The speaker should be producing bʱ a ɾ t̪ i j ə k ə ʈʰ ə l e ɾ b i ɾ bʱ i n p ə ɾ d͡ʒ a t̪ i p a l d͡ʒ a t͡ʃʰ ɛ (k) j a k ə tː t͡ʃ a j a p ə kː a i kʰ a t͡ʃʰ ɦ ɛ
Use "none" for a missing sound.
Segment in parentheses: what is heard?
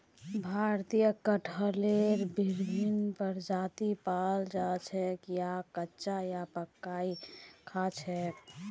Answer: k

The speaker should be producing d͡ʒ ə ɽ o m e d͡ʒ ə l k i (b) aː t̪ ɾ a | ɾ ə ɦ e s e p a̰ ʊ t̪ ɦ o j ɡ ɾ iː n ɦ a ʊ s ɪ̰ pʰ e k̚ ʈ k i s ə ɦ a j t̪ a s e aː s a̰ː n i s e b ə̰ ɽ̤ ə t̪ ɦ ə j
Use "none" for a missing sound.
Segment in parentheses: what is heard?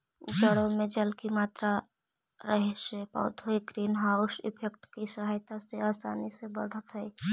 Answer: m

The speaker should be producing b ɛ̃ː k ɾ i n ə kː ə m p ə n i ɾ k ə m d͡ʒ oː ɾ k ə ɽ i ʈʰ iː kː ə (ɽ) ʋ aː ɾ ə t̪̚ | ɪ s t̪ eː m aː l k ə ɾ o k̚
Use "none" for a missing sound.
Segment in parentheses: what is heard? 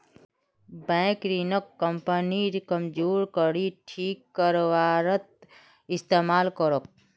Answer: ɾ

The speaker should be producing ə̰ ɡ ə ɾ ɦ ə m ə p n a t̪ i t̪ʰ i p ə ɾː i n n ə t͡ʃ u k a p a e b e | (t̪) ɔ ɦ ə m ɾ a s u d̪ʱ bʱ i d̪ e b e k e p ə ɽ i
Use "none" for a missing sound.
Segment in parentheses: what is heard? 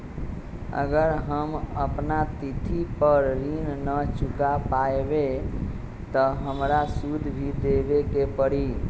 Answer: t̪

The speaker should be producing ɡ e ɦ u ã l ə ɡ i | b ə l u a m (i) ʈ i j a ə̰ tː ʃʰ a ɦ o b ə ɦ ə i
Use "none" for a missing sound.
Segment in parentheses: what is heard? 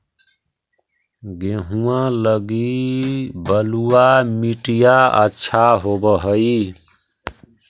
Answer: i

